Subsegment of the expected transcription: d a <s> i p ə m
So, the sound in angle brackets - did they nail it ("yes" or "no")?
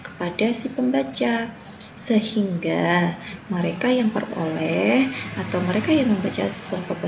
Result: yes